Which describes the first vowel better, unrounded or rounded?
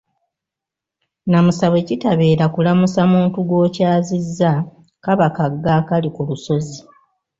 unrounded